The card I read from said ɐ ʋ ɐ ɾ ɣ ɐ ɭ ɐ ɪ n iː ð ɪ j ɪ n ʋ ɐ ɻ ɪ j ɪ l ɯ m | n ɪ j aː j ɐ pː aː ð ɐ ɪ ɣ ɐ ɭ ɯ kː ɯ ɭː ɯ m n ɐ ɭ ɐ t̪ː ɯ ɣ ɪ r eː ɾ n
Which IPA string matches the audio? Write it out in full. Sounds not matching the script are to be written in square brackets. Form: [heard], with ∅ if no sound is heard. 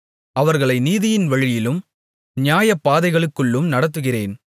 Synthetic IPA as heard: ɐ ʋ ɐ ɾ ɣ ɐ ɭ ɐ ɪ n iː ð ɪ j ɪ n ʋ ɐ ɻ ɪ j ɪ l ɯ m | n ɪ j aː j ɐ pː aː ð ɐ ɪ ɣ ɐ ɭ ɯ kː ɯ ɭː ɯ m n ɐ [ɽ] ɐ t̪ː ɯ ɣ ɪ r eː [∅] n